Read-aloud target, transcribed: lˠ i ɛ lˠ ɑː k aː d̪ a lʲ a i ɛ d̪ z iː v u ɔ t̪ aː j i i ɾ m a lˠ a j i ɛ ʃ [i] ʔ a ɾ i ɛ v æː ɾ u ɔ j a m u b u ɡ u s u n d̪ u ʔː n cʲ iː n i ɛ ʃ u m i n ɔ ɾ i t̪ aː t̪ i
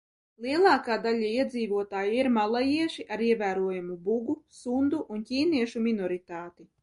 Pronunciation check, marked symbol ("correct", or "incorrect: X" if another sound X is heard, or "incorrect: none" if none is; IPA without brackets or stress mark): correct